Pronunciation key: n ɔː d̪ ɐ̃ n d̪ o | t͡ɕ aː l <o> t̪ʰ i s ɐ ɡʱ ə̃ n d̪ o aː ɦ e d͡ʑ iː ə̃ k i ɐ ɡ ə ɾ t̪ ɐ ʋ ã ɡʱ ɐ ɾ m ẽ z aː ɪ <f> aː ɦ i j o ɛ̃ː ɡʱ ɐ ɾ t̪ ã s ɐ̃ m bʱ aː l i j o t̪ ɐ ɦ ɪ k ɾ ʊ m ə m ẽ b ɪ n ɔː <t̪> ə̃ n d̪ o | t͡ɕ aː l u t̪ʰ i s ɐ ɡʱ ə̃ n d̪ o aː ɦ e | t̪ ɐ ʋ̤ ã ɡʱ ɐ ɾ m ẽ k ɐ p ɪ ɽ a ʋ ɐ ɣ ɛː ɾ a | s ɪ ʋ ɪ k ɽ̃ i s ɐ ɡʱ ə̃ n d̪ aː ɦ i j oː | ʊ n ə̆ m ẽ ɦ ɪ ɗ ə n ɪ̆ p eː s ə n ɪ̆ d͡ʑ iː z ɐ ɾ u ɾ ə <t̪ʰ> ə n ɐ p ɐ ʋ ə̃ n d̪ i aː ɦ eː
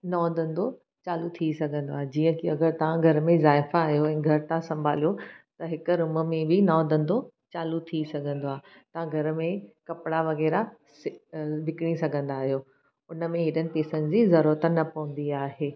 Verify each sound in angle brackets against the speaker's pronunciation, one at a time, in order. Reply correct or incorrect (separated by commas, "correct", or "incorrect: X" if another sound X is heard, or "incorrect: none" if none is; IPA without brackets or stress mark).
incorrect: u, correct, incorrect: d̪, incorrect: t̪